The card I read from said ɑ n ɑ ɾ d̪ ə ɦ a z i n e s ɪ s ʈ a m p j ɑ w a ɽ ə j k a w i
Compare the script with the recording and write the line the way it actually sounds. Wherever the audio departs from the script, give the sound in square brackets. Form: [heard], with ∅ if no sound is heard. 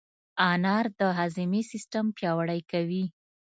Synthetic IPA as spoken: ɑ n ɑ ɾ d̪ ə ɦ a z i [m] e s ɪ s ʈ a m p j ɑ w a ɽ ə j k a w i